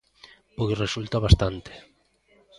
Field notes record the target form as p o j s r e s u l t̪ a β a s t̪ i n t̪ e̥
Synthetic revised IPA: p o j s r e s u l t̪ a β a s t̪ a n t̪ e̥